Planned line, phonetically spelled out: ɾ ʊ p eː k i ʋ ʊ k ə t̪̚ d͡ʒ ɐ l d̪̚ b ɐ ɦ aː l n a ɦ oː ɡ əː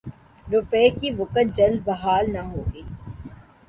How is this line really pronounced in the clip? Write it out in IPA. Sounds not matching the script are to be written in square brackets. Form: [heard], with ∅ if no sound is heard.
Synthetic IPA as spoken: ɾ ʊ p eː k i ʋ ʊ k ə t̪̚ d͡ʒ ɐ l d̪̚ b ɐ ɦ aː l n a ɦ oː ɡ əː